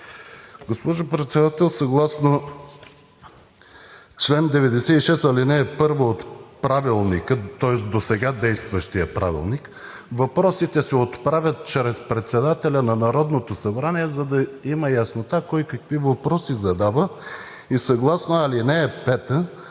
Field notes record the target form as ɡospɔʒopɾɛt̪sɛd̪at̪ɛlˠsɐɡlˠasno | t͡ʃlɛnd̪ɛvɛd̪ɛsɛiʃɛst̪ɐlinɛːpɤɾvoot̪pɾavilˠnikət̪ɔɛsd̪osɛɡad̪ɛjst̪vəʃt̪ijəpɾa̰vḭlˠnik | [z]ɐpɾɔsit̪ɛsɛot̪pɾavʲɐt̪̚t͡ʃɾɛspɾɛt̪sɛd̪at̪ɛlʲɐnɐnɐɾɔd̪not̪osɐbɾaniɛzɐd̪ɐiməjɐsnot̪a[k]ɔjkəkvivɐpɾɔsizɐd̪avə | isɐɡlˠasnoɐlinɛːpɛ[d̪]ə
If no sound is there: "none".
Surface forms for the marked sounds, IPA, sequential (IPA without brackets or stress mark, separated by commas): v, k, t̪